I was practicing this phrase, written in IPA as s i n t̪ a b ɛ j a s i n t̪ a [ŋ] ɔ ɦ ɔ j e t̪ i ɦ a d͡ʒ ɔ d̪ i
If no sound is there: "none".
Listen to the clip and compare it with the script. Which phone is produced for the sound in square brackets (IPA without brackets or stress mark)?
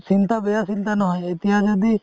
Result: n